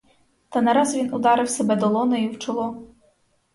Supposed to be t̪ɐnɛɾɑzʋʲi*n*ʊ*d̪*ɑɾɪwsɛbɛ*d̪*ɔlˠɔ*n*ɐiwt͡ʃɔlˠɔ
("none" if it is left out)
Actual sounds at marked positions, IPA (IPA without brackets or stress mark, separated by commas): n, d̪, d̪, n